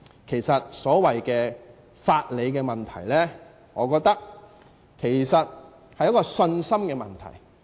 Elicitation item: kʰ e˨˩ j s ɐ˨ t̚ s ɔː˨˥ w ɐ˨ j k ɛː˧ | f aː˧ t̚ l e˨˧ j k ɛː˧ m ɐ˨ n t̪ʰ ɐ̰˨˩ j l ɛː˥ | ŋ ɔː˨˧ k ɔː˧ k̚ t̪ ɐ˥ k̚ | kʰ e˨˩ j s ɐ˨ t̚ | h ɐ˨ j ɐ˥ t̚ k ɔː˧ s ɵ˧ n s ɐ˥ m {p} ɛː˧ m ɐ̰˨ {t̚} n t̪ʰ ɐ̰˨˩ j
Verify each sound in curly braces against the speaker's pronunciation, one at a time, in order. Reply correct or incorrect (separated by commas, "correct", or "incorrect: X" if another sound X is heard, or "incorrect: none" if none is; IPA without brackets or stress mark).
incorrect: k, incorrect: none